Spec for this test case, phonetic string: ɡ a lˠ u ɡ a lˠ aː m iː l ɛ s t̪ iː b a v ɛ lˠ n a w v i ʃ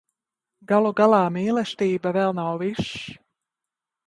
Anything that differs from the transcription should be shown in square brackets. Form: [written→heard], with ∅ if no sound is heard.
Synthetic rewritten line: ɡ a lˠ u ɡ a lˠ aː m iː l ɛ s t̪ iː b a v ɛ lˠ n a w v i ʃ